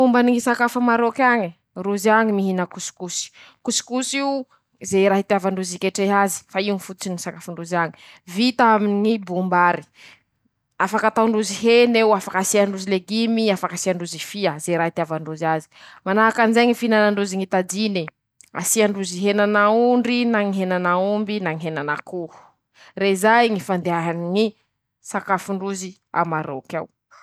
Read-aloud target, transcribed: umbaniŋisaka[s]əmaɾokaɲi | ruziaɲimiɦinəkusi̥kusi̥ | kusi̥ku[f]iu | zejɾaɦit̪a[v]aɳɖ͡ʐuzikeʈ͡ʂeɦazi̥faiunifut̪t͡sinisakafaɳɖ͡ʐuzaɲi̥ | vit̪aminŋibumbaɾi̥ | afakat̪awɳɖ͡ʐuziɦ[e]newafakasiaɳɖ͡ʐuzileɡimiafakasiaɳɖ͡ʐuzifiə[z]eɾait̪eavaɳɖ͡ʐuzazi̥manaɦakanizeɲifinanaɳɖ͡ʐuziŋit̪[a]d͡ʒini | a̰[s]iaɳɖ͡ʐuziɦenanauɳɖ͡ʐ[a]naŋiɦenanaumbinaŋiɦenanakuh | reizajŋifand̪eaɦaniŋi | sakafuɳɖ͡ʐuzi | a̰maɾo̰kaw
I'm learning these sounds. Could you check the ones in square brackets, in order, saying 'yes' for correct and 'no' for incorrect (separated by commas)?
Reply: no, no, yes, yes, yes, yes, yes, no